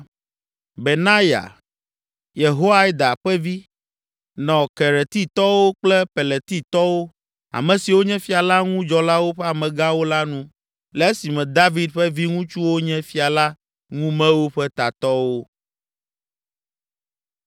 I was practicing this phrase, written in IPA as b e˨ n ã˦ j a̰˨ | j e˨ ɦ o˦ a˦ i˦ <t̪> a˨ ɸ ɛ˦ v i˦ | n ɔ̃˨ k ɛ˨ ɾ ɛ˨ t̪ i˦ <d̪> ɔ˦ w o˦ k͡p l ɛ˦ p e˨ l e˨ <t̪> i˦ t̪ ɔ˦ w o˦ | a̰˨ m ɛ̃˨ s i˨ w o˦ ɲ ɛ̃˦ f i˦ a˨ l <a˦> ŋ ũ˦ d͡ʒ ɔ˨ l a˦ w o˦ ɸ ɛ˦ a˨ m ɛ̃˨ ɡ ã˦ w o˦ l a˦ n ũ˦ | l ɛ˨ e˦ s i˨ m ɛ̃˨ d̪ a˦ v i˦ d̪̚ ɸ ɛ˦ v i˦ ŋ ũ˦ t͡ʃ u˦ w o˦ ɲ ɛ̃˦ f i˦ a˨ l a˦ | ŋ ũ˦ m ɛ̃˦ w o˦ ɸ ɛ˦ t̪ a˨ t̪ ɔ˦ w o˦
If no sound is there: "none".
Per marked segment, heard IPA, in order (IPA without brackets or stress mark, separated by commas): d̪, t̪, t̪, a˦